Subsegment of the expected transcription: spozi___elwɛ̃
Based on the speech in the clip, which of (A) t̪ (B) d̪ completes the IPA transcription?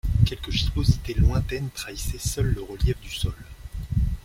A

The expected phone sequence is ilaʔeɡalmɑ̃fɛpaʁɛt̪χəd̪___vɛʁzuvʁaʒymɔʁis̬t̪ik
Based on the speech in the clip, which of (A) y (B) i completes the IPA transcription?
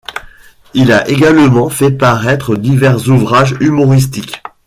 B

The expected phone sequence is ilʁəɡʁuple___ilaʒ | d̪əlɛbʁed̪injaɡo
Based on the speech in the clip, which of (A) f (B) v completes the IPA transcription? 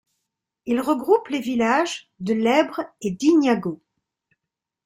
B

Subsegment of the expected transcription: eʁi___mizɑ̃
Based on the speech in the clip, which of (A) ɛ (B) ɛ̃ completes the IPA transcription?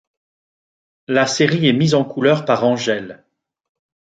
A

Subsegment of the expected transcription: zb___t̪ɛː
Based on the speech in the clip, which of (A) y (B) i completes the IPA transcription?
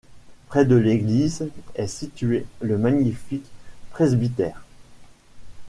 B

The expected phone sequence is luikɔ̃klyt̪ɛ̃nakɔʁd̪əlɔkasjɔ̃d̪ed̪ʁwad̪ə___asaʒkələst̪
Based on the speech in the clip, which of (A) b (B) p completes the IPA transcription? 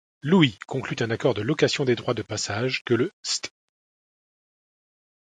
B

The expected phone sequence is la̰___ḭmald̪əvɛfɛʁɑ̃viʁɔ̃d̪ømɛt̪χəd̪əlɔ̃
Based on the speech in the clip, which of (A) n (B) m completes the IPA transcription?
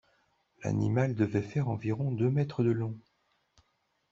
A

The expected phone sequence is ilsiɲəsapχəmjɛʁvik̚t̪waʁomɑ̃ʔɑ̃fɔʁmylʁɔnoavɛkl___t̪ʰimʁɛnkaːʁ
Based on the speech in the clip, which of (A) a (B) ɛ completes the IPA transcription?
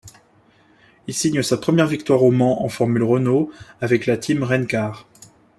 A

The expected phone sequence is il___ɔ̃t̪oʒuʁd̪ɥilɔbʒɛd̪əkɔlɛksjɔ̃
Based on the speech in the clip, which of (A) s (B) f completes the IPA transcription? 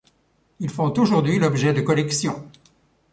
B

